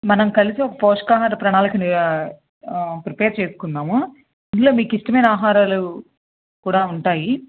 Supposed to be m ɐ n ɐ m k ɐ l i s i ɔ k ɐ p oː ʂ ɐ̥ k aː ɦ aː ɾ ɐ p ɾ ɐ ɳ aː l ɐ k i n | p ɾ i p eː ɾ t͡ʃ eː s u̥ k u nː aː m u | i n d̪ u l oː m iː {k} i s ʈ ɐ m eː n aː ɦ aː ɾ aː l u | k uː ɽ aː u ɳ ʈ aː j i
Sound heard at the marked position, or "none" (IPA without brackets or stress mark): k